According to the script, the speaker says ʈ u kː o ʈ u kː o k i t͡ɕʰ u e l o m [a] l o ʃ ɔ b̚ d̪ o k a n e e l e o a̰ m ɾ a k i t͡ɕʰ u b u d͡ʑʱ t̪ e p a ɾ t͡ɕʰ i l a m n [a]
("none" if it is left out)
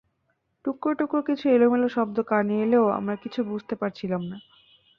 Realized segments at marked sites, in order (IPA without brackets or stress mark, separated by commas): e, a